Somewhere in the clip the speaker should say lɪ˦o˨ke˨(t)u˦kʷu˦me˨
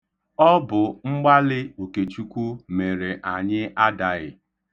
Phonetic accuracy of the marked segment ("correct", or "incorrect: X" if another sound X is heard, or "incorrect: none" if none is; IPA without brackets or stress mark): incorrect: t͡ʃ